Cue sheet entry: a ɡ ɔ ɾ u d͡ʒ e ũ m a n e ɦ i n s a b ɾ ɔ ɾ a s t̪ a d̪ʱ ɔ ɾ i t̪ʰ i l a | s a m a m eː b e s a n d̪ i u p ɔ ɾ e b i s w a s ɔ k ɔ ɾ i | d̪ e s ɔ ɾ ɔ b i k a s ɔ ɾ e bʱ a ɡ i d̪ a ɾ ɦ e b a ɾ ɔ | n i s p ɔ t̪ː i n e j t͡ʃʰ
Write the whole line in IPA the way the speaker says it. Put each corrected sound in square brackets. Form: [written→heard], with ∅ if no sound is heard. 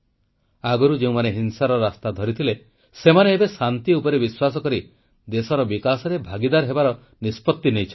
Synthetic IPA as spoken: a ɡ ɔ ɾ u d͡ʒ e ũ m a n e ɦ i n s a [b→∅] ɾ ɔ ɾ a s t̪ a d̪ʱ ɔ ɾ i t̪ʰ i l [a→e] | s [a→e] m a [m→n] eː b e s a n [d̪→t̪] i u p ɔ ɾ e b i s w a s ɔ k ɔ ɾ i | d̪ e s ɔ ɾ ɔ b i k a s ɔ ɾ e bʱ a ɡ i d̪ a ɾ ɦ e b a ɾ ɔ | n i s p ɔ t̪ː i n e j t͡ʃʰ